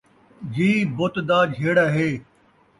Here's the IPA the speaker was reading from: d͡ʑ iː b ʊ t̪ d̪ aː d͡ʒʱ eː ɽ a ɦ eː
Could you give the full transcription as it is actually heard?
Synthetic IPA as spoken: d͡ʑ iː b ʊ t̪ d̪ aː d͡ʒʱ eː ɽ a ɦ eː

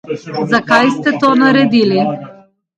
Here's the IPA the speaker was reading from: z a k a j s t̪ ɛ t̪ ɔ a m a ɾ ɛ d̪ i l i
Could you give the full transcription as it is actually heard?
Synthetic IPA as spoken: z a k a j s t̪ ɛ t̪ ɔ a n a ɾ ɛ d̪ i l i

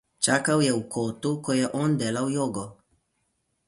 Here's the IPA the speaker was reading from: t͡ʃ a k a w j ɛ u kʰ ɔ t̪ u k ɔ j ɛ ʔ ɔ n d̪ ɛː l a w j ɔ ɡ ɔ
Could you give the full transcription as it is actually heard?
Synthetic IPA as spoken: t͡ʃ a k a w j ɛ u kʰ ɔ t̪ u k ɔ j ɛ ʔ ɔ n d̪ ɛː l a w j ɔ ɡ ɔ

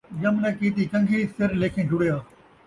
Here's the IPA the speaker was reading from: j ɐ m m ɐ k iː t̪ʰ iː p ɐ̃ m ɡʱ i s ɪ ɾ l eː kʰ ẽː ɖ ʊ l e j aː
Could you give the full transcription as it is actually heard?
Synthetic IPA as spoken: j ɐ m n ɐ k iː t̪ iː k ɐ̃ ŋ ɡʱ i s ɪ ɾ l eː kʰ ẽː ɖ ʊ ɽ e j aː

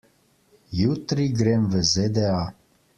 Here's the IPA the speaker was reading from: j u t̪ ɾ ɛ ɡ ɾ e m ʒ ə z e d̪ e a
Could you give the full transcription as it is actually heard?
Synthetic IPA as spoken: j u t̪ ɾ i ɡ ɾ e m v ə z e d̪ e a

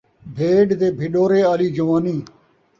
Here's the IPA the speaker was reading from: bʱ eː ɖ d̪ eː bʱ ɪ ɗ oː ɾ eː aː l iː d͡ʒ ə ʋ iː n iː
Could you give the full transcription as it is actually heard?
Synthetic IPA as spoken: bʱ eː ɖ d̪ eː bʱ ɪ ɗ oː ɾ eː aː l iː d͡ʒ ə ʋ aː n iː

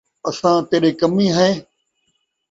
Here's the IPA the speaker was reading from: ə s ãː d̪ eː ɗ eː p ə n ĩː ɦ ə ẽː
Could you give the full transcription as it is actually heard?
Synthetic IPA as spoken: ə s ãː t̪ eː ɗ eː k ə m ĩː ɦ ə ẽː

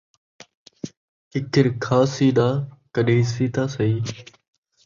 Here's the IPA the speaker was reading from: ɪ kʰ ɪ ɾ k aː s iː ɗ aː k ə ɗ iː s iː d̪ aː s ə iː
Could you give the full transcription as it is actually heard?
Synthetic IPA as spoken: ɪ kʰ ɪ ɾ kʰ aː s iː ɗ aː k ə ɗ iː s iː t̪ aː s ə iː

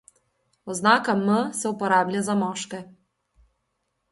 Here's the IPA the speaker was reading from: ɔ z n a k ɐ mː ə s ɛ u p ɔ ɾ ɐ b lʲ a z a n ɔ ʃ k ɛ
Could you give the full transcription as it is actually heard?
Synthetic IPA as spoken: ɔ z n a k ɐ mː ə s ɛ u p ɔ ɾ a b lʲ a z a m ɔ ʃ k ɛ

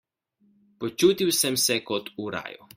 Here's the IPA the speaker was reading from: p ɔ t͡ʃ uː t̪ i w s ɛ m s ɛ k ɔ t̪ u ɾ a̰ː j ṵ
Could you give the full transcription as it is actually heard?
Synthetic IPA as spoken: p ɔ t͡ʃ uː t̪ i w s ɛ m s ɛ k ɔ t̪ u ɾ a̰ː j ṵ

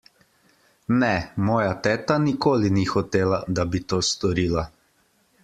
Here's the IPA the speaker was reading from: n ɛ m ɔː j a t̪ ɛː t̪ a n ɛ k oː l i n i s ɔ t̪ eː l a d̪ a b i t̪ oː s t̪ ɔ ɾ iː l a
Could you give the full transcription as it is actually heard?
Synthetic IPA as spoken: n ɛ m ɔː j a t̪ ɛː t̪ a n i k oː l i n i x ɔ t̪ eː l a d̪ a b i t̪ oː s t̪ ɔ ɾ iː l a

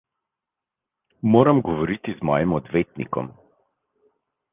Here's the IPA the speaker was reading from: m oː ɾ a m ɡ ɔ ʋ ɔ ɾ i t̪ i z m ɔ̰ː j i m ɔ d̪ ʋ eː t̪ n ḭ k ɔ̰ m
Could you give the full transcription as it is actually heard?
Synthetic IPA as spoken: m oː ɾ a m ɡ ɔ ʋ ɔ ɾ i t̪ i z m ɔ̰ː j i m ɔ d̪ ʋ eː t̪ n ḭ k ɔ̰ m

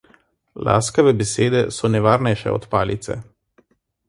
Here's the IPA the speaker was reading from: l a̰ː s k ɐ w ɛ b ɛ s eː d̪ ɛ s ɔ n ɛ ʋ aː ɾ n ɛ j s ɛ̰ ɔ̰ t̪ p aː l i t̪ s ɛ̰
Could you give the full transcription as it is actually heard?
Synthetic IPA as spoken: l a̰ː s k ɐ ʋ ɛ b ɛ s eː d̪ ɛ s ɔ n ɛ ʋ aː ɾ n ɛ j ʃ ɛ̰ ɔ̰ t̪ p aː l i t̪ s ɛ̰

